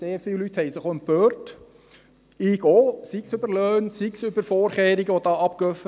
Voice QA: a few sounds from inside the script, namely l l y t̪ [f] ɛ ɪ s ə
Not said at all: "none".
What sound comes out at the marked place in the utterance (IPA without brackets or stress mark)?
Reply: h